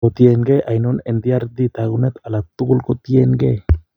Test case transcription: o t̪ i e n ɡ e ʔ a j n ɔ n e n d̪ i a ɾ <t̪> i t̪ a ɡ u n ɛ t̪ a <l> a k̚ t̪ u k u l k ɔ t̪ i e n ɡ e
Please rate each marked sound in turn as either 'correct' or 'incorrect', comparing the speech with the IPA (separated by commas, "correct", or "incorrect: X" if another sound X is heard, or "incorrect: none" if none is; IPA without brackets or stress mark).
incorrect: d̪, correct